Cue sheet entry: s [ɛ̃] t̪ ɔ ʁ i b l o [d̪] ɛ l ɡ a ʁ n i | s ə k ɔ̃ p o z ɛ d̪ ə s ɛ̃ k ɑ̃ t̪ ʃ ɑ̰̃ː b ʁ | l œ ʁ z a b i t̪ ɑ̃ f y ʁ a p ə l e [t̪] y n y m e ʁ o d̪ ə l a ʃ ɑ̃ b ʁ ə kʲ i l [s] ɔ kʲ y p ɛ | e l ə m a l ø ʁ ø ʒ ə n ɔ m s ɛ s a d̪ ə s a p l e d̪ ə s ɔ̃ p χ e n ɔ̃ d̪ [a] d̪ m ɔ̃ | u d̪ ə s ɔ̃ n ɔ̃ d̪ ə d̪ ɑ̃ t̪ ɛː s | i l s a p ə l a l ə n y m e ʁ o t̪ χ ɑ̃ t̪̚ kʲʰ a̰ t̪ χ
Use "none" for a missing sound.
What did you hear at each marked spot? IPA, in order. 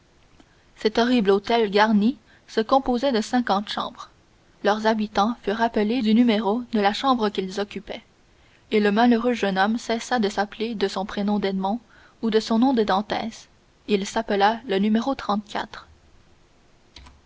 ɛ, t̪, d̪, z, ɛ

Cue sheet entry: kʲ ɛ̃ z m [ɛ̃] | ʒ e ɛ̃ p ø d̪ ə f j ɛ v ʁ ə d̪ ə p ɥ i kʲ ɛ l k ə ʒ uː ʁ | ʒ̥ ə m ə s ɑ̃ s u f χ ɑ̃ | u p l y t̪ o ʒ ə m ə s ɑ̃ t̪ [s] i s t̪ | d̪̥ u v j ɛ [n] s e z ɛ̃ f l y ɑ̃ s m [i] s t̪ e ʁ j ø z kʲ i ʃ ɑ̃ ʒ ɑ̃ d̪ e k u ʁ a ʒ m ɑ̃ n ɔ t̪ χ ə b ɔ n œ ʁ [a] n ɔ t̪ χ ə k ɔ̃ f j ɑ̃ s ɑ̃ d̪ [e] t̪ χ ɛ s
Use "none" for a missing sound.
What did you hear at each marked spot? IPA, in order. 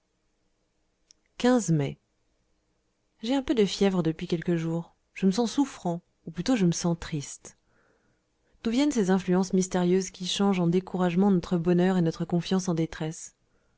ɛ, χ, n, i, e, e

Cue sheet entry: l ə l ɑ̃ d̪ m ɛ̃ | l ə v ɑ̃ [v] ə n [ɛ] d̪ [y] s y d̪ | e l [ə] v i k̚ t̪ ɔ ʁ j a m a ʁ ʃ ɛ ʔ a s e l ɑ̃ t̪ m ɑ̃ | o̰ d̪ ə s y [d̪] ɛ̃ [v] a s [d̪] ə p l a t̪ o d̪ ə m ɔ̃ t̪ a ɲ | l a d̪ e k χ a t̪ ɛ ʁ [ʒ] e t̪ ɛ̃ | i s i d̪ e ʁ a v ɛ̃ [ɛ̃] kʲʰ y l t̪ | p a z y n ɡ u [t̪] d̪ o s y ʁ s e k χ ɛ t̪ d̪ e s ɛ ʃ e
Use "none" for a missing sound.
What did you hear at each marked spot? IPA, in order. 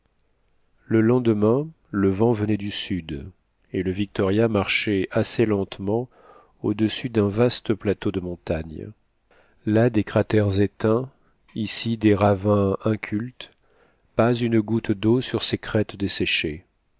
v, ɛ, y, ə, d̪, v, t̪, z, ɛ̃, t̪

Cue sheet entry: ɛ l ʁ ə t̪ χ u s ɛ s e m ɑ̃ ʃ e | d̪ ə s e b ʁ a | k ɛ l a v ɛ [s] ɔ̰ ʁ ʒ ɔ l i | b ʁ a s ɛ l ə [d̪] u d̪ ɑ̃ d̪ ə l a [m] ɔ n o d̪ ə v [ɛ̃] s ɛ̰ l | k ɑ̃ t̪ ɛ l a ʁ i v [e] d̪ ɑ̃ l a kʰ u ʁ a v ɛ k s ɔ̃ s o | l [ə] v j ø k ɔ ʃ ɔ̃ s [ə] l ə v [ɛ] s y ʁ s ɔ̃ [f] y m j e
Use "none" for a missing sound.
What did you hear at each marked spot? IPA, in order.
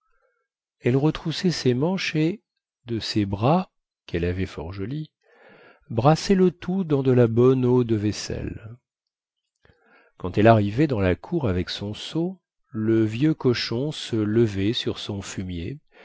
f, t̪, b, ɛ, ɛ, ə, ə, ɛ, f

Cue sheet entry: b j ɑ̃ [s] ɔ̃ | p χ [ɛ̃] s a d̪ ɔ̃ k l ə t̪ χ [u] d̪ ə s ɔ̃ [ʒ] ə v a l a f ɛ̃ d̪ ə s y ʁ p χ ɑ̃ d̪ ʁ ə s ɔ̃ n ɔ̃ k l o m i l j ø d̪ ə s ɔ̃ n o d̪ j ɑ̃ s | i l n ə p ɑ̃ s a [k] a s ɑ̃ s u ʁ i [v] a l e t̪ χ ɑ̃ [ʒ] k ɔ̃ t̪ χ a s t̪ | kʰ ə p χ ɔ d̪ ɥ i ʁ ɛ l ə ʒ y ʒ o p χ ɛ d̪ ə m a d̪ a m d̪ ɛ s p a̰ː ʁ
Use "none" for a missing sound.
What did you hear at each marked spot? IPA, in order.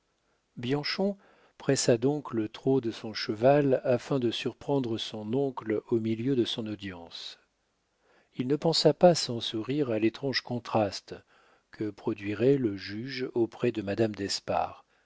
ʃ, ɛ, o, ʃ, p, ʁ, ʒ

